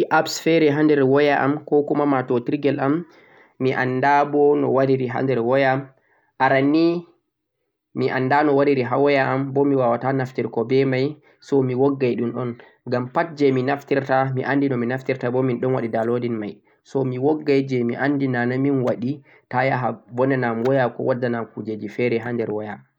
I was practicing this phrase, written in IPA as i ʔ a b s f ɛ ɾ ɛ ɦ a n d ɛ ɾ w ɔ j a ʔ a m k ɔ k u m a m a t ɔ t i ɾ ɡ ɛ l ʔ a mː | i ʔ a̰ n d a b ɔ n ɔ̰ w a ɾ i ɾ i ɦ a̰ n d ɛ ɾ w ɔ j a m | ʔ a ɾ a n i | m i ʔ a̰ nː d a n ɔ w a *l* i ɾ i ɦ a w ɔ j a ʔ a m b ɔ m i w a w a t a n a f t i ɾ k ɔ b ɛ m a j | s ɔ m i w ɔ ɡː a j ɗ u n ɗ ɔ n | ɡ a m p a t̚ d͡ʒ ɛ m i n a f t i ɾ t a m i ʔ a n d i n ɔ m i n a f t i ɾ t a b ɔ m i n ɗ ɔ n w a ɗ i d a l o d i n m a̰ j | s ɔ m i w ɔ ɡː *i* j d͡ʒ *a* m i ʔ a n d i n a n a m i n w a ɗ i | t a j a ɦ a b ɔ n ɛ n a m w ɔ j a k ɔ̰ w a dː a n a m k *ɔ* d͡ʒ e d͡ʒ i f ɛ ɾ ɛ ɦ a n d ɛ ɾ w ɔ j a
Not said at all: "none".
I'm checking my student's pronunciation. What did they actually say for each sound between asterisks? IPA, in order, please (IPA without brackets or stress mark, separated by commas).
ɾ, a, ɛ, u